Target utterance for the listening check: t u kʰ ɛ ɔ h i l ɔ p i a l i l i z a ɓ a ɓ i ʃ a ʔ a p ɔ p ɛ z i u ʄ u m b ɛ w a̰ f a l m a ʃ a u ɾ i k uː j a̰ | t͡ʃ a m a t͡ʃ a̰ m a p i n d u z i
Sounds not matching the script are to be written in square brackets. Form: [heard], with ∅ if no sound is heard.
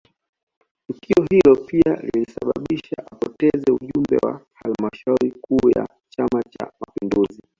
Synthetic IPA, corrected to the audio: t u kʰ [i] ɔ h i l ɔ p i a l i l i [s] a ɓ a ɓ i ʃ a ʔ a p ɔ [t] ɛ z [ɛ] u ʄ u m b ɛ w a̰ [h] a l m a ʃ a u ɾ i k uː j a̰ | t͡ʃ a m a t͡ʃ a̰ m a p i n d u z i